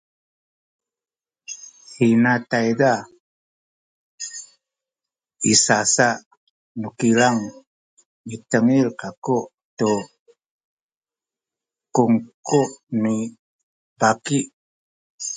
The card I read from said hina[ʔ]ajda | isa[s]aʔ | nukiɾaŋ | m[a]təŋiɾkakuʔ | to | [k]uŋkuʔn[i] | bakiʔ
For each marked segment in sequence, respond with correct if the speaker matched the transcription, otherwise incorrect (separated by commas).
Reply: incorrect, correct, incorrect, correct, correct